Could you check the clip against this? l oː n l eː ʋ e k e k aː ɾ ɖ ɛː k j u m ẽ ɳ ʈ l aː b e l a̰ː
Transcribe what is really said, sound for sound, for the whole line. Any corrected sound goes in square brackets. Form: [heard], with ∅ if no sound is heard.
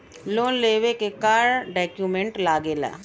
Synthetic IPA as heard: l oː n l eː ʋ e k e k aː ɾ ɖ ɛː k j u m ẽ ɳ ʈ l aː [ɡ] e l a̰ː